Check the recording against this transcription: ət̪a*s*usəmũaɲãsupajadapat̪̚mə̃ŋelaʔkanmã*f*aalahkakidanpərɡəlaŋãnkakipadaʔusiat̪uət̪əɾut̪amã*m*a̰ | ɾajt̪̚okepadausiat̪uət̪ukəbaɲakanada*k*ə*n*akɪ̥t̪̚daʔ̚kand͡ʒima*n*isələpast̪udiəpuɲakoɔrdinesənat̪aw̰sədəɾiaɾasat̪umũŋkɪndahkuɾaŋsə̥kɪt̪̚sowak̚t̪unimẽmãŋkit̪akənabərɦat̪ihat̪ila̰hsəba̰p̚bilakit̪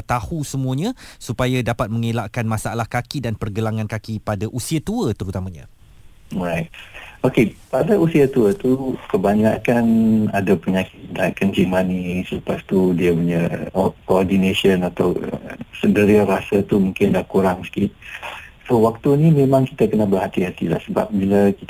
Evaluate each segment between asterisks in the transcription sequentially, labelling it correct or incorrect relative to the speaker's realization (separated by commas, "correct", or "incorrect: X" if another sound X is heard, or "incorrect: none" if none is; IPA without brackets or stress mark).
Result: incorrect: h, incorrect: s, incorrect: ɲ, incorrect: p, incorrect: ɲ, correct